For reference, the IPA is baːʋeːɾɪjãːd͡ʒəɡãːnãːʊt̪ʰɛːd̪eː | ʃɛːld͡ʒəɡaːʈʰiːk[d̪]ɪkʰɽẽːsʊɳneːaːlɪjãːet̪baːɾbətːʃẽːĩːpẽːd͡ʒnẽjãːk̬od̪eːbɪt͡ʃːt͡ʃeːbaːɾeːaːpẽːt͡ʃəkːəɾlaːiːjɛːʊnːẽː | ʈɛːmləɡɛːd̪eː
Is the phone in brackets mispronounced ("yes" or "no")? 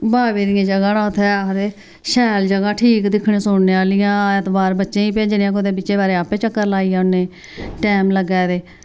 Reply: no